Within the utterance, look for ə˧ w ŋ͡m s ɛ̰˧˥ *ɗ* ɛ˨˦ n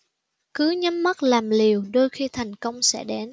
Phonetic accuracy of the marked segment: correct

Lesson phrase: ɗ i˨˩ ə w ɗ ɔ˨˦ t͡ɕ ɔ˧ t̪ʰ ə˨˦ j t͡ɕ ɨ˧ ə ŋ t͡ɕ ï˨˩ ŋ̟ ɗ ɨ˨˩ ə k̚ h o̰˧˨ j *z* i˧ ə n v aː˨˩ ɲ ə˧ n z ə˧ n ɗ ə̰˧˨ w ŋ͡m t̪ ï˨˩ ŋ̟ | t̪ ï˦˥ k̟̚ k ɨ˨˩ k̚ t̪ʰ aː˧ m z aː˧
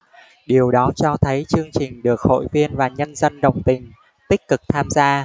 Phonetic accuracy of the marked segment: incorrect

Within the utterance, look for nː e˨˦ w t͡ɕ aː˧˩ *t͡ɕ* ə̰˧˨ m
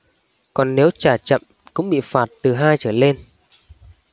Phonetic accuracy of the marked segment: correct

